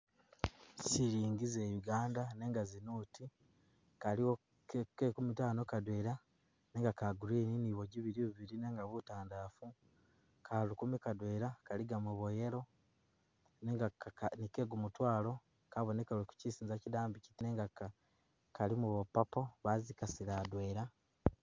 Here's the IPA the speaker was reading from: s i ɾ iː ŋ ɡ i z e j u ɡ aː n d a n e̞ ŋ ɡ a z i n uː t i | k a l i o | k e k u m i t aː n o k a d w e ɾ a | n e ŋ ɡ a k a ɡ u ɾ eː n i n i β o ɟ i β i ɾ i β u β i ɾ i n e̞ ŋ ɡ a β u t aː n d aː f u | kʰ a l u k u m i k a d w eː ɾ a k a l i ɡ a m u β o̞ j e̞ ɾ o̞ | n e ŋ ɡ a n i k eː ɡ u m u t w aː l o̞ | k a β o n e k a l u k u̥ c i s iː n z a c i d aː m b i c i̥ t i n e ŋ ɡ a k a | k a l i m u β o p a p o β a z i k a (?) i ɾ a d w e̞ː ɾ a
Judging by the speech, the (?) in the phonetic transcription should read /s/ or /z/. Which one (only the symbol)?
s